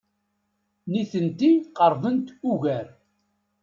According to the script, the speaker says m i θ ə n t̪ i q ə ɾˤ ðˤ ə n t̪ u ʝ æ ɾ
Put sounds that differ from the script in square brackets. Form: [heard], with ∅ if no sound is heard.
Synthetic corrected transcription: [n] i θ ə n t̪ i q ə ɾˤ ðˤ ə n t̪ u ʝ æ ɾ